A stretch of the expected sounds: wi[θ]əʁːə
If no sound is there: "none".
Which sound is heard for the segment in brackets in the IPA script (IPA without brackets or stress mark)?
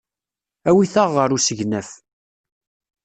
θ